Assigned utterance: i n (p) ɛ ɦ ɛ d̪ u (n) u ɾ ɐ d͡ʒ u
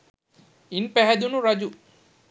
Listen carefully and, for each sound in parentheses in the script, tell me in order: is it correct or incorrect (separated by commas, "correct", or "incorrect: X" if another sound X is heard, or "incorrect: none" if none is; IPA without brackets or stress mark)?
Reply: correct, correct